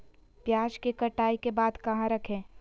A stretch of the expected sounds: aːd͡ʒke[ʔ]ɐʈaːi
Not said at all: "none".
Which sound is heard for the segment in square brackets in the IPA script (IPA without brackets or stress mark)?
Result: k